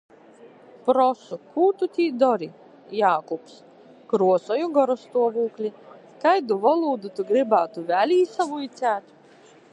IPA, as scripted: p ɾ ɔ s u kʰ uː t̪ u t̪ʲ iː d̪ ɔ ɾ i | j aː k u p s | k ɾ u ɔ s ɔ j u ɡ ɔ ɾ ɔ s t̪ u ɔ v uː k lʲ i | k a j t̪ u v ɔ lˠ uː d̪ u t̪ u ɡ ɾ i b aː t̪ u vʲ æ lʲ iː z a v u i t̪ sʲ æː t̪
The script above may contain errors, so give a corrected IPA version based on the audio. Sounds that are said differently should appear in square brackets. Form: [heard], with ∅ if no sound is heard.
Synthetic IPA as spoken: p ɾ ɔ s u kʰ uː t̪ u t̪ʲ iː d̪ ɔ ɾ i | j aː k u p s | k ɾ u ɔ s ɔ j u ɡ ɔ ɾ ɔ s t̪ u ɔ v uː k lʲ i | k a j [d̪] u v ɔ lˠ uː d̪ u t̪ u ɡ ɾ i b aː t̪ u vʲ æ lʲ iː [s] a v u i t̪ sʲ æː t̪